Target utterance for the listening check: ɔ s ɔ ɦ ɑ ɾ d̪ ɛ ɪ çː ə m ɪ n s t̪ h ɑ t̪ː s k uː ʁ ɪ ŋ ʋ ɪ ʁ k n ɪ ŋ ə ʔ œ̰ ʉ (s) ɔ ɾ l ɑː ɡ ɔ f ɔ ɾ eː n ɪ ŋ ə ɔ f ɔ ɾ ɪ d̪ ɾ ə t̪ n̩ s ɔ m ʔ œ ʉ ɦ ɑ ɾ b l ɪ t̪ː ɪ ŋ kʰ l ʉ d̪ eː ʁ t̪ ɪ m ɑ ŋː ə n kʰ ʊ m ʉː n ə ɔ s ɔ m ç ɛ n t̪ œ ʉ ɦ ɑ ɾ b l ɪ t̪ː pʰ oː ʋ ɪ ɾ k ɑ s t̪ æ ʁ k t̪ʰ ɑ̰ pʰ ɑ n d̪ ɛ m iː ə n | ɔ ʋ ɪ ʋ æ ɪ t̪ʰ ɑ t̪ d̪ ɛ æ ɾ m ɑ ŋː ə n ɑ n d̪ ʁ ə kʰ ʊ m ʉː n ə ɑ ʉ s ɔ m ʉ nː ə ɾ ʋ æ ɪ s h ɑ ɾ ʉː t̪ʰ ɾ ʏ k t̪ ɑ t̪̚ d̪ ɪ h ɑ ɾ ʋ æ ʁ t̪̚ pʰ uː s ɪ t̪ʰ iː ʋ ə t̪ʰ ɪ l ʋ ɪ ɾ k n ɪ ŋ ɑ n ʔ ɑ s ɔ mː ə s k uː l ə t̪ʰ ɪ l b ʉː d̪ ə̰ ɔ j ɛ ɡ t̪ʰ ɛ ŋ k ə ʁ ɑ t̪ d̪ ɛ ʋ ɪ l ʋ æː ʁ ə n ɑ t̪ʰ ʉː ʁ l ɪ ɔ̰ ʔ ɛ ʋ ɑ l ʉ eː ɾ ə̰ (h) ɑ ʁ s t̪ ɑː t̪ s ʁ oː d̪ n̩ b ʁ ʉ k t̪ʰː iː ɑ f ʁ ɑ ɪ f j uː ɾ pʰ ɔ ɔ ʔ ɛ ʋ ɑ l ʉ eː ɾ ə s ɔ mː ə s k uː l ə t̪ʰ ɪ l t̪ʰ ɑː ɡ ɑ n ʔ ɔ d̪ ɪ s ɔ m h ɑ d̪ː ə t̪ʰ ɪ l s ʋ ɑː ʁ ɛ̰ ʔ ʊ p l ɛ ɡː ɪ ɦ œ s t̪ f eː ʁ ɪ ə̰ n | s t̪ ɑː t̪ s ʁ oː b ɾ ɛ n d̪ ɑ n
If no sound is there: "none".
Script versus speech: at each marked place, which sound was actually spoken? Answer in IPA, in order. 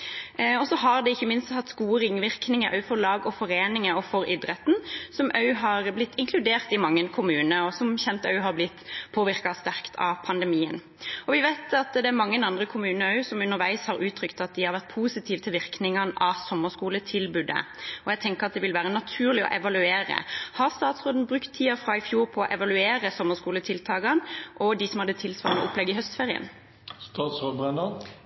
f, h

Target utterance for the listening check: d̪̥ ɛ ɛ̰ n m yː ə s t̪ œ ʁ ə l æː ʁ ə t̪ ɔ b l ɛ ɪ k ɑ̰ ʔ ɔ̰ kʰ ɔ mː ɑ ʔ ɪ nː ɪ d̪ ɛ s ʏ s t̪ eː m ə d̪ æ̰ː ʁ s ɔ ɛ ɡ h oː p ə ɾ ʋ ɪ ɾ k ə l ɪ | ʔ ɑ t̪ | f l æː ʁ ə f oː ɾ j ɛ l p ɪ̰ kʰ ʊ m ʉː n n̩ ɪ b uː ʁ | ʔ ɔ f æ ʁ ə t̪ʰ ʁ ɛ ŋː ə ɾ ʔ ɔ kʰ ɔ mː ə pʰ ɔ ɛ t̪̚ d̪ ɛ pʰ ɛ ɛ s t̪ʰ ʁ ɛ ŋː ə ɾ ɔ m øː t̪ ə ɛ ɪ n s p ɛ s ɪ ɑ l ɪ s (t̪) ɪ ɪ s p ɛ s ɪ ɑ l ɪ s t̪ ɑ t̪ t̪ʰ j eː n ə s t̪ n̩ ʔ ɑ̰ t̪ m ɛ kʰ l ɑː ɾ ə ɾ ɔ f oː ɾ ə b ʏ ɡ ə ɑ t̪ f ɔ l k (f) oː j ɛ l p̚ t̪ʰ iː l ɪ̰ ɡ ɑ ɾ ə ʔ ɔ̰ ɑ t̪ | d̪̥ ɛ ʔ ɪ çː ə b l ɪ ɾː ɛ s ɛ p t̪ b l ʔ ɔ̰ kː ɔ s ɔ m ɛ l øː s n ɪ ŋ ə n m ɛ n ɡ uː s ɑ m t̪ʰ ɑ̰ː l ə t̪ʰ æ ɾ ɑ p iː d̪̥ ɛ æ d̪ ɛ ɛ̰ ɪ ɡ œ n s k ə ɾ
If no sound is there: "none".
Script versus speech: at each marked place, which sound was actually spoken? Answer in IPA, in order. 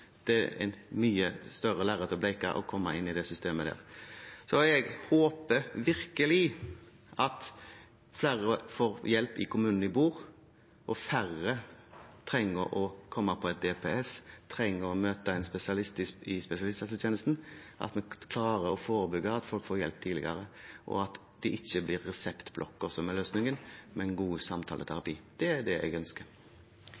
t̪, f

